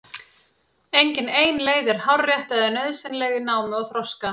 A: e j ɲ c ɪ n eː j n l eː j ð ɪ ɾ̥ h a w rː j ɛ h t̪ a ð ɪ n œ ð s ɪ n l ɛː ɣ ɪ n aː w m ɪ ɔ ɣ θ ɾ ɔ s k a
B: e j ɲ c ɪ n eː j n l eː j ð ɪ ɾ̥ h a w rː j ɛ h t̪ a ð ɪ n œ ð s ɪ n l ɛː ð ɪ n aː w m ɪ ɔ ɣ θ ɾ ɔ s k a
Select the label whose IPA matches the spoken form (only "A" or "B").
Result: A